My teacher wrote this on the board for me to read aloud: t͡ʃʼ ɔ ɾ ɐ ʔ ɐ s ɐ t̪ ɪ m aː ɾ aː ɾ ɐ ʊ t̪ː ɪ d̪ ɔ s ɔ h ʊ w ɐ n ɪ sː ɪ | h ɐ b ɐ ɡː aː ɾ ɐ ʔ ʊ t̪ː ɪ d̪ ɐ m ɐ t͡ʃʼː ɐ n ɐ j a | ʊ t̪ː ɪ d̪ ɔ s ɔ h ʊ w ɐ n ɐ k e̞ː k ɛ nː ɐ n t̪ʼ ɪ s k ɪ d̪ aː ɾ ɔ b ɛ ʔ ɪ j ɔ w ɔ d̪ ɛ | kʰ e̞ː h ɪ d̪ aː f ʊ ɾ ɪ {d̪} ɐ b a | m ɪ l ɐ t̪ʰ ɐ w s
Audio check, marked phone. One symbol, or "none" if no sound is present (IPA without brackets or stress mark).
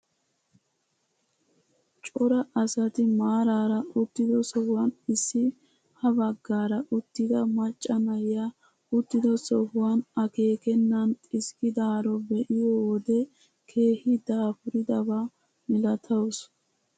d̪